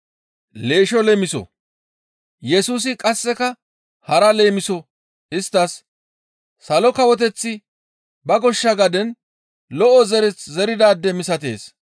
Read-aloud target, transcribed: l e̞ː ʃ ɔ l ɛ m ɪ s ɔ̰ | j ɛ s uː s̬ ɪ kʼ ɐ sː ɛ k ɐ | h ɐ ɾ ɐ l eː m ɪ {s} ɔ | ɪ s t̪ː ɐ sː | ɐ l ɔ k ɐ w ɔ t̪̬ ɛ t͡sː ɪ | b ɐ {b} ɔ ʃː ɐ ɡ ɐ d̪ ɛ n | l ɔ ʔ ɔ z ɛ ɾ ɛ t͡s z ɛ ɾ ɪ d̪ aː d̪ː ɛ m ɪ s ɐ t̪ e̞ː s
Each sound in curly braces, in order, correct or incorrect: correct, incorrect: ɡ

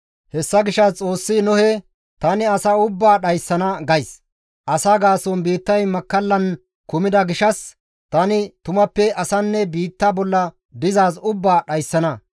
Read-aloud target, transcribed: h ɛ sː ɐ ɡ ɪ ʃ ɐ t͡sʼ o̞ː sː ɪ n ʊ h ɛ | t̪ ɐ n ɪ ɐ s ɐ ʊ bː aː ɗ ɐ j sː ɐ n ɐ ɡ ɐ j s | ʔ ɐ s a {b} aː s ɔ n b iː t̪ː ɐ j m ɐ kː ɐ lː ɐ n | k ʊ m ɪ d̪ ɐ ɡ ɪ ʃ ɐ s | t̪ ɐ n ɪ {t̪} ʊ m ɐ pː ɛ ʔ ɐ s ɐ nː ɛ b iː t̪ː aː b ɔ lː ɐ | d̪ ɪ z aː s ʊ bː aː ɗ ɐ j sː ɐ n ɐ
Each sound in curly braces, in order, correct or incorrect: incorrect: ɡ, correct

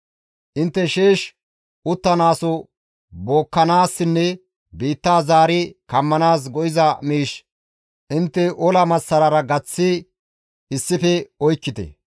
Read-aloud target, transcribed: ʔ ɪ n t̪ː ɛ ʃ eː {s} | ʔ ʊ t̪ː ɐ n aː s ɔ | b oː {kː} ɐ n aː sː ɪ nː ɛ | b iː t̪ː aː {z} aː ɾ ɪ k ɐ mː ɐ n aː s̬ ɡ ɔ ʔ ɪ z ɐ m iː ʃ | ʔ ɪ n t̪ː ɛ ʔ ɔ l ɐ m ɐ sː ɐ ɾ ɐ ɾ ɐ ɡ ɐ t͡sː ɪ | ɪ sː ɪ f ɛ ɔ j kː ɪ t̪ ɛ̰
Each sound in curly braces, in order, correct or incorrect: incorrect: ʃ, correct, correct

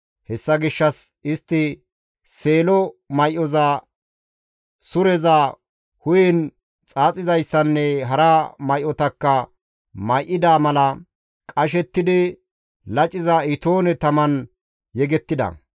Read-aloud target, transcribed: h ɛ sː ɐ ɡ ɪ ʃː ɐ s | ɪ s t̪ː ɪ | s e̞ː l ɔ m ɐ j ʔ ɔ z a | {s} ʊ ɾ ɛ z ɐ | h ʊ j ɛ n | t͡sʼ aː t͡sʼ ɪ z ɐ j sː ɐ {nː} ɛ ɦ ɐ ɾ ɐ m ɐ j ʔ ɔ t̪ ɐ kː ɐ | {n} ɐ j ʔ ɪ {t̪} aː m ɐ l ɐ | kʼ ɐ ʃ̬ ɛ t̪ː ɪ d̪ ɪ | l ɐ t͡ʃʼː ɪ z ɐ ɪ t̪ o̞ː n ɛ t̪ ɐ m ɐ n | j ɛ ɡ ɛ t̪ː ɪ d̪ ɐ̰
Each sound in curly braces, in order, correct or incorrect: correct, correct, incorrect: m, incorrect: d̪

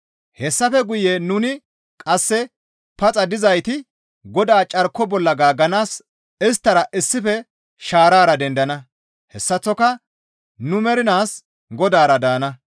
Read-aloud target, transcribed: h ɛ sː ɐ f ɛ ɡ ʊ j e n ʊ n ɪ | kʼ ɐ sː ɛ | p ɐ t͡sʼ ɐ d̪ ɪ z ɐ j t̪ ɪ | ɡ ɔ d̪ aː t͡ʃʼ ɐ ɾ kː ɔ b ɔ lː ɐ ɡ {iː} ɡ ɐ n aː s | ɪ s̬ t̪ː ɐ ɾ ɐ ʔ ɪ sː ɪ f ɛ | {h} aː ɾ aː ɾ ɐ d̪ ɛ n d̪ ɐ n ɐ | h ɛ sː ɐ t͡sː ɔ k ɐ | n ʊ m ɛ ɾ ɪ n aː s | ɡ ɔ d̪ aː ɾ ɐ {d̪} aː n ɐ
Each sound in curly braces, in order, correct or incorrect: incorrect: aː, incorrect: ʃ, correct

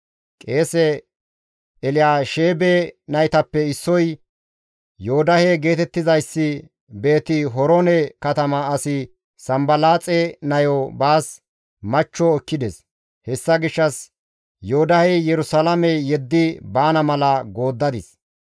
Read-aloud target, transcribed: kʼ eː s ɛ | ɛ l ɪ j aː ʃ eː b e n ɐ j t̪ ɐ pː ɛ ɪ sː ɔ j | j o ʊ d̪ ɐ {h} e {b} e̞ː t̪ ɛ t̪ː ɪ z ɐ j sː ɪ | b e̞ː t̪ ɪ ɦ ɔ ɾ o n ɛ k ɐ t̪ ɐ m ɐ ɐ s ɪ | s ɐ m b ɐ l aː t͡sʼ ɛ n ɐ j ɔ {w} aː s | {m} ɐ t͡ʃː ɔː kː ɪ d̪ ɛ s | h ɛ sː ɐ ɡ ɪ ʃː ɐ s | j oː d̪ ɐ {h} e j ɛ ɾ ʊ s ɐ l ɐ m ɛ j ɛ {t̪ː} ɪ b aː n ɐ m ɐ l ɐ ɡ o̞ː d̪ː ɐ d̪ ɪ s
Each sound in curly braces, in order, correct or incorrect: correct, incorrect: ɡ, incorrect: b, correct, correct, incorrect: d̪ː

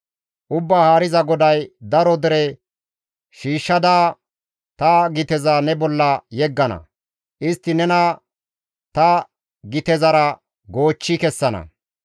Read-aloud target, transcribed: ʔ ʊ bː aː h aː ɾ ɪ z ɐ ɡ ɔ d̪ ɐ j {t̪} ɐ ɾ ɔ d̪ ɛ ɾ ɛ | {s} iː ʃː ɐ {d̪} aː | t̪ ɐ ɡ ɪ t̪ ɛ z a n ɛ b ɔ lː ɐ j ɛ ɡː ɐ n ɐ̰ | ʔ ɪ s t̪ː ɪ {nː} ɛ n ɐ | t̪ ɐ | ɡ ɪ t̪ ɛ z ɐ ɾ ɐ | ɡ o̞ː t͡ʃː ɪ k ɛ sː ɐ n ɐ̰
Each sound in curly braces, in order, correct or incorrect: incorrect: d̪, incorrect: ʃ, correct, incorrect: n

